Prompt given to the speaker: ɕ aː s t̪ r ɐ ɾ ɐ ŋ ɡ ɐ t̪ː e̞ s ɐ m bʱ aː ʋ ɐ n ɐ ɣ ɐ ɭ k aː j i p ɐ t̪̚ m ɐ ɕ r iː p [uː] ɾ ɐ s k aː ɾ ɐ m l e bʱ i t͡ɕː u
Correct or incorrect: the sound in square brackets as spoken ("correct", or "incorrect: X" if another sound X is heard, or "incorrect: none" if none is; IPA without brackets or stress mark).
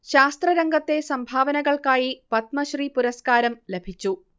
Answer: incorrect: u